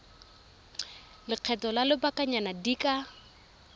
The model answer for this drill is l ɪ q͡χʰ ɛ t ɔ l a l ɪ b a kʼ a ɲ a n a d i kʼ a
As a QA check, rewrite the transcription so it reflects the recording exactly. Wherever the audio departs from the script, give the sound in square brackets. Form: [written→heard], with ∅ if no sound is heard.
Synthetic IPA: l ɪ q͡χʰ ɛ t ɔ l a l ɪ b a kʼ a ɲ a n a d i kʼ a